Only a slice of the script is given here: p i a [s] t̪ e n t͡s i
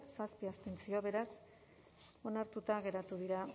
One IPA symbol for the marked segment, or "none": s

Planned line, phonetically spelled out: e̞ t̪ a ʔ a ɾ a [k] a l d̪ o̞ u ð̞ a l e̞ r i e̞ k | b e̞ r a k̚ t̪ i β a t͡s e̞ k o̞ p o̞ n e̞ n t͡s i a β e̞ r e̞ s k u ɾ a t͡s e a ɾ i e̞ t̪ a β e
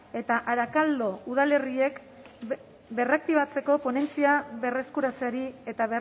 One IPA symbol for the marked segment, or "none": k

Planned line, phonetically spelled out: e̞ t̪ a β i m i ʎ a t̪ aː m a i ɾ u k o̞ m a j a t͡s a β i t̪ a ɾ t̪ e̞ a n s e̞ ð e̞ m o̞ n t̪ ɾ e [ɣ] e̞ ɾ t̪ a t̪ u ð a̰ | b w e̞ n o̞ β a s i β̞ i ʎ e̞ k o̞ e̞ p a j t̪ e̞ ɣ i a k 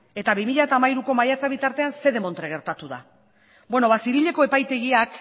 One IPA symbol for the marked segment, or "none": ɣ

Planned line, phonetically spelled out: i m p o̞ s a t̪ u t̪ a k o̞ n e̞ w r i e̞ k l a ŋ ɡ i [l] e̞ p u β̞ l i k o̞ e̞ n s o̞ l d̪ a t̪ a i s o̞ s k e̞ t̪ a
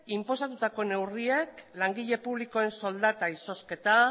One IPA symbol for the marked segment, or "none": ʎ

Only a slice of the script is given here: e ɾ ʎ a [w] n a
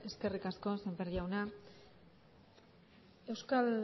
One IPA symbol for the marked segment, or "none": w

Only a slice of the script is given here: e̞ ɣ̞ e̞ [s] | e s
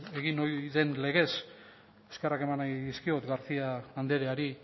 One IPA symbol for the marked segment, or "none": s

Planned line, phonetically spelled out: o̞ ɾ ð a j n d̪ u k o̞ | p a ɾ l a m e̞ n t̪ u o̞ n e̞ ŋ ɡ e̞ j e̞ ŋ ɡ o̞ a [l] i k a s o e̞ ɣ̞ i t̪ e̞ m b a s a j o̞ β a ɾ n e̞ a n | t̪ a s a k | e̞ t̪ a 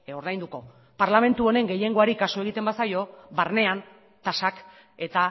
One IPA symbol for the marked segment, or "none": ɾ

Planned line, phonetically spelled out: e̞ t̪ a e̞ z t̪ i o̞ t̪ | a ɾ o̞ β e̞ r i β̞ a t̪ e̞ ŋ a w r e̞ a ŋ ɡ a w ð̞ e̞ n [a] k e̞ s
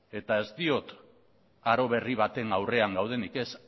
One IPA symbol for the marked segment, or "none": i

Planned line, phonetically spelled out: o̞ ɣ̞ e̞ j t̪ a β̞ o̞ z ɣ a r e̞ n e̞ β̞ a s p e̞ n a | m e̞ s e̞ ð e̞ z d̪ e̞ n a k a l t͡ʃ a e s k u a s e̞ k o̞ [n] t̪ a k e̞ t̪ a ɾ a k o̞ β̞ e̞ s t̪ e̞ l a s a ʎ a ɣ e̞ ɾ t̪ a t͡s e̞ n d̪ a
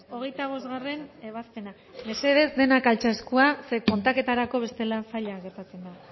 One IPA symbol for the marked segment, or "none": n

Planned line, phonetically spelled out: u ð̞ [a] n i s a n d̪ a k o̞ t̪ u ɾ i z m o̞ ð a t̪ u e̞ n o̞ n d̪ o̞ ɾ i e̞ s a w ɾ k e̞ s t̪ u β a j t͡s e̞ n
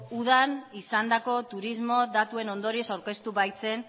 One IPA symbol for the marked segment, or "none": a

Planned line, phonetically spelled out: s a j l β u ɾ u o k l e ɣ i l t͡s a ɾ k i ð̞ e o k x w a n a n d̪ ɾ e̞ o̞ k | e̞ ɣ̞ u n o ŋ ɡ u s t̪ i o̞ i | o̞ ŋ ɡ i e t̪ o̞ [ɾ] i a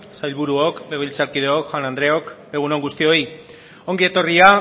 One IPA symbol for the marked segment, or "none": r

